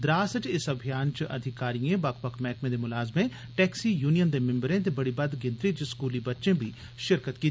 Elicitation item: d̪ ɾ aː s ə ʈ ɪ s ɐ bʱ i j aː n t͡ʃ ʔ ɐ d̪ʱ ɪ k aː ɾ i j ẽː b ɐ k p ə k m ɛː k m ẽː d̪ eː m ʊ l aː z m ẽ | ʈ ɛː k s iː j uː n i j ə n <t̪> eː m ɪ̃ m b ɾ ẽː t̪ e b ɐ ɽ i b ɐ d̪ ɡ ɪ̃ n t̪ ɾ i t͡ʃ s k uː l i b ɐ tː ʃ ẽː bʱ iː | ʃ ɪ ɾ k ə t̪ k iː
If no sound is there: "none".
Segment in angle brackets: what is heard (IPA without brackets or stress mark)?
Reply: d̪